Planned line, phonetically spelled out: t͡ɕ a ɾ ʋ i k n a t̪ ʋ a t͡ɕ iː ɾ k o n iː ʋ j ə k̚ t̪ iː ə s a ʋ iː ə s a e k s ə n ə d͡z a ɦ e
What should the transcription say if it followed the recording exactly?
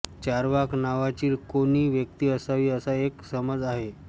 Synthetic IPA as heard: t͡ɕ a ɾ ʋ a k n a ʋ a t͡ɕ iː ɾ k o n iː ʋ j ə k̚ t̪ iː ə s a ʋ iː ə s a e k s ə m ə d͡z a ɦ e